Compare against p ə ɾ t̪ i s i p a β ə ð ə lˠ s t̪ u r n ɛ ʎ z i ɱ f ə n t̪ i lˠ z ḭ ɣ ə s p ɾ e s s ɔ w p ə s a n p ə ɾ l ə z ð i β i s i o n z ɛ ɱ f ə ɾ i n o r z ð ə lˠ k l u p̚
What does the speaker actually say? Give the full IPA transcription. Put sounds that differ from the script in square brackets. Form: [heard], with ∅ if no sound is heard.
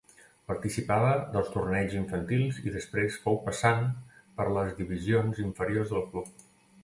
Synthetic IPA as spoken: p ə ɾ t̪ i s i p a β ə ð ə lˠ s t̪ u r n ɛ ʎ z i ɱ f ə n t̪ i lˠ z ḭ [ð] ə s p ɾ e s [f] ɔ w p ə s a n p ə ɾ l ə z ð i β i [z] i o n z [i] ɱ f ə ɾ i [∅] o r z ð ə lˠ k l u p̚